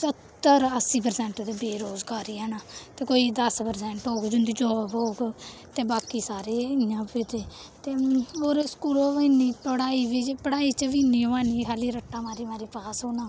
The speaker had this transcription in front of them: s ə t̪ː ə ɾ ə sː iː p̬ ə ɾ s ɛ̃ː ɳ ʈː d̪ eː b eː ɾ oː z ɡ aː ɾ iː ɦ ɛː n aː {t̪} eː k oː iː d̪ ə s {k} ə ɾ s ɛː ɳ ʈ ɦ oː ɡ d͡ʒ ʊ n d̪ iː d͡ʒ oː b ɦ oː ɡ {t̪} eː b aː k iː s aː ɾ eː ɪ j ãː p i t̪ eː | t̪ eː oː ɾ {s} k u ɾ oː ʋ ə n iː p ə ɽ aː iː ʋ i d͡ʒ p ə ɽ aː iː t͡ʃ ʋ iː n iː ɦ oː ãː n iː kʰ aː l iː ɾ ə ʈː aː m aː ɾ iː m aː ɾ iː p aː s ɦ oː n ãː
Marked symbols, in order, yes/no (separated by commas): yes, no, yes, yes